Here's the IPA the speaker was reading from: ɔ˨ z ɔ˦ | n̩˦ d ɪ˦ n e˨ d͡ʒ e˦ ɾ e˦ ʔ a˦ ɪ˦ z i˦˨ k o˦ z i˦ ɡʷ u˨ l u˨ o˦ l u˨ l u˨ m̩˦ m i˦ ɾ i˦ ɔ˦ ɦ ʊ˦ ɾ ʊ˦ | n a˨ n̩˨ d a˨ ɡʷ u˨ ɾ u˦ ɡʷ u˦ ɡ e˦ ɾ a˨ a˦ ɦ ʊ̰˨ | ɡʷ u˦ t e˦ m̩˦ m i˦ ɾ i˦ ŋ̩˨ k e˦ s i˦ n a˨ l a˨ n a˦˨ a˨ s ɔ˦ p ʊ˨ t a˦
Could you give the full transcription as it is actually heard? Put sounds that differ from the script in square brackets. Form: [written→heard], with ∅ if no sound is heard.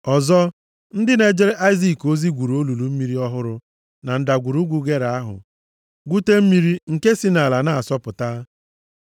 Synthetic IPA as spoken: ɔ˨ z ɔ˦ | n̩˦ d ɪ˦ n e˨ d͡ʒ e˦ ɾ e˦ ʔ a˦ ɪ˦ z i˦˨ k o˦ z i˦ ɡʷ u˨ [l→ɾ] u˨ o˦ l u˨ l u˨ m̩˦ m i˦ ɾ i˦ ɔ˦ ɦ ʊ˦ ɾ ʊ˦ | n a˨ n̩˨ d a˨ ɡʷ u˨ ɾ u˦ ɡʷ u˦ ɡ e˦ ɾ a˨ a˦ ɦ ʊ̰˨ | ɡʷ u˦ t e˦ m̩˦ m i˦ ɾ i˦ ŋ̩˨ k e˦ s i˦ n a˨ l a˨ n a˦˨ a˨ s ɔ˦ p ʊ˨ t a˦